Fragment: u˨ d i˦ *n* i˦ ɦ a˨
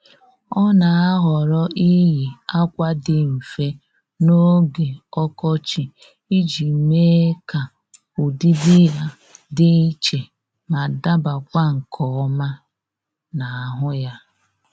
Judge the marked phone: incorrect: d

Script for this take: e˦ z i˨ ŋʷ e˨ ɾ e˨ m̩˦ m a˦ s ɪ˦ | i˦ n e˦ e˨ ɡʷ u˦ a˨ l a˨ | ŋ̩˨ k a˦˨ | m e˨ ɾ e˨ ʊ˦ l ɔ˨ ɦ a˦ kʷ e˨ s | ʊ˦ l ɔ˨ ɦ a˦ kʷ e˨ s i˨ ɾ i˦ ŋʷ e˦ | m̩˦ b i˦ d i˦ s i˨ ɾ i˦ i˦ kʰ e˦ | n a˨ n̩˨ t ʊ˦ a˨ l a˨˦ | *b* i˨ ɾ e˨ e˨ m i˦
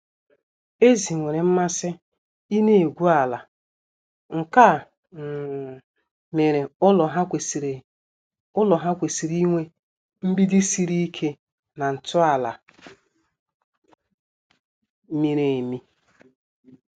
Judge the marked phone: incorrect: m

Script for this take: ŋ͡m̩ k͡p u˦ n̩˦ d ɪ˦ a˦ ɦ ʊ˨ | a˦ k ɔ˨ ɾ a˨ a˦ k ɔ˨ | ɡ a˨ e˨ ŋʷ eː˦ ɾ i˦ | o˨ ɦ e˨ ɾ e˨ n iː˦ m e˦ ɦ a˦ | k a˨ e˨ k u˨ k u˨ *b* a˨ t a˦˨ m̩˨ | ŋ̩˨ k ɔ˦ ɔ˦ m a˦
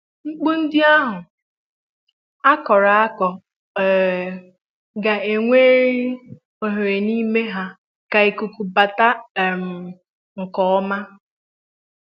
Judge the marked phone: correct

